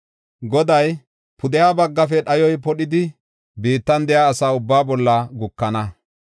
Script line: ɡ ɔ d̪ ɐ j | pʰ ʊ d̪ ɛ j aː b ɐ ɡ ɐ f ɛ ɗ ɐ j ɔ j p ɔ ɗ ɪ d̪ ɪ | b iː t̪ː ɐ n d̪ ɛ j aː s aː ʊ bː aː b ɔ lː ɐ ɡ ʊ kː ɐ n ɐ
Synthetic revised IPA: ɡ ɔ d̪ ɐ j | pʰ ʊ d̪ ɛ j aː b ɐ ɡː ɐ f ɛ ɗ ɐ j ɔ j p ɔ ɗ ɪ d̪ ɪ | b iː t̪ː ɐ n d̪ ɛ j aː s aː ʊ bː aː b ɔ lː ɐ ɡ ʊ kː ɐ n ɐ